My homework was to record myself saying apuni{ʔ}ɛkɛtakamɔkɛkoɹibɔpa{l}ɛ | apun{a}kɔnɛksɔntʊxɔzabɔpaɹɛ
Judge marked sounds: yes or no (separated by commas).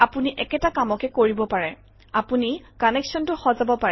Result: yes, no, no